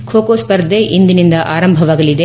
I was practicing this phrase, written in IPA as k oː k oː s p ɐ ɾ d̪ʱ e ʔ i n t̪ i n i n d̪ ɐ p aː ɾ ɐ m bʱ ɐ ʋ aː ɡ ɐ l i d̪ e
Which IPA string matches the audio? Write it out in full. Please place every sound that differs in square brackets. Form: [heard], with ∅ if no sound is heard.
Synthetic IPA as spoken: [kʰ] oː k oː s p ɐ ɾ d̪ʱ e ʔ i n [d̪] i n i n d̪ ɐ [ʔ] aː ɾ ɐ m bʱ ɐ ʋ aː ɡ ɐ l i d̪ e